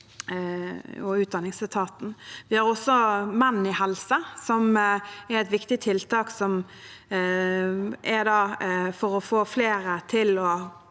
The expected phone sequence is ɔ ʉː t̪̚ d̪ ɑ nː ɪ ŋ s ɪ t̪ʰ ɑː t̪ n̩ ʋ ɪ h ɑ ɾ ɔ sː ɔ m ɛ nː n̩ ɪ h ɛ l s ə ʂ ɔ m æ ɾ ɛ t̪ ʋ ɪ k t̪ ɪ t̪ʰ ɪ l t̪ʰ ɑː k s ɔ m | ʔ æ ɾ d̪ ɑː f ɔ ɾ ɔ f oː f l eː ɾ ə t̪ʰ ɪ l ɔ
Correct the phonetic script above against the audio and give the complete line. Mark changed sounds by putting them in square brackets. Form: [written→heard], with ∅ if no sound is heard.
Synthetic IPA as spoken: ɔ ʉː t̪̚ d̪ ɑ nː ɪ ŋ s ɪ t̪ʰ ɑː t̪ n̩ ʋ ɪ h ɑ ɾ ɔ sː ɔ m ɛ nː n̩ ɪ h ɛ l s ə [ʂ→s] ɔ m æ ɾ ɛ t̪ ʋ ɪ k t̪ ɪ t̪ʰ ɪ l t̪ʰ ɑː k s ɔ m | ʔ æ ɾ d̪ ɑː f ɔ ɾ ɔ f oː f l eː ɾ ə t̪ʰ ɪ l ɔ

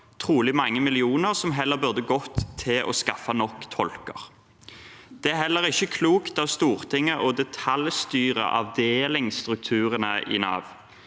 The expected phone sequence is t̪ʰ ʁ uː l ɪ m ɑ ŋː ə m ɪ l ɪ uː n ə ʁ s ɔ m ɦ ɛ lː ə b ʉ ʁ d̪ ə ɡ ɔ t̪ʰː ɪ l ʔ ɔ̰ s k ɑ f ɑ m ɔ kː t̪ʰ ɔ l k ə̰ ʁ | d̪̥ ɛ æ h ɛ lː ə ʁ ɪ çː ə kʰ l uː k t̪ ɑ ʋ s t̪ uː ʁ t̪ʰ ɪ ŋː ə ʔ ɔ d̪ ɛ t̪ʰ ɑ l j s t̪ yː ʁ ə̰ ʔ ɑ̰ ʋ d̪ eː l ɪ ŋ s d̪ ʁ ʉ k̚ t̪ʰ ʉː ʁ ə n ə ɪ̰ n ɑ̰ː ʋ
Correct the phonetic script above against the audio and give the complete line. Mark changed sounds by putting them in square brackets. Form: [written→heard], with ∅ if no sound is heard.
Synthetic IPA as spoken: t̪ʰ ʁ uː l ɪ m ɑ ŋː ə m ɪ l ɪ uː n ə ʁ s ɔ m ɦ ɛ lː ə b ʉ ʁ d̪ ə ɡ ɔ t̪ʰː ɪ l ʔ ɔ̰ s k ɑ f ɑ [m→n] ɔ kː t̪ʰ ɔ l k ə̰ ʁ | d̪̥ ɛ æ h ɛ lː ə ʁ ɪ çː ə kʰ l uː k t̪ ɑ ʋ s t̪ uː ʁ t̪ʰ ɪ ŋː ə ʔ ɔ d̪ ɛ t̪ʰ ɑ l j s t̪ yː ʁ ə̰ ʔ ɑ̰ ʋ d̪ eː l ɪ ŋ s [d̪→t̪] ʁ ʉ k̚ t̪ʰ ʉː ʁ ə n ə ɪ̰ n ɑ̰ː ʋ

